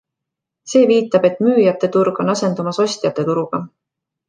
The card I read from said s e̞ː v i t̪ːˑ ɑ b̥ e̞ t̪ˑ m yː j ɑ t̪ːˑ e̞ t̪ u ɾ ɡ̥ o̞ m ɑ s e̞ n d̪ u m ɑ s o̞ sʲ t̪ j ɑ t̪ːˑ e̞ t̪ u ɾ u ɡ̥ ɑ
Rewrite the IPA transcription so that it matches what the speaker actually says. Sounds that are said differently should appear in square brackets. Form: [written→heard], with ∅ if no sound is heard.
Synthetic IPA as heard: s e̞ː v [i→iː] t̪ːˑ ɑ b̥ e̞ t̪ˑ m yː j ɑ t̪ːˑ e̞ t̪ u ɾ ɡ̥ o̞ [m→n] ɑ s e̞ n d̪ u m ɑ s o̞ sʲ t̪ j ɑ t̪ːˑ e̞ t̪ u ɾ u ɡ̥ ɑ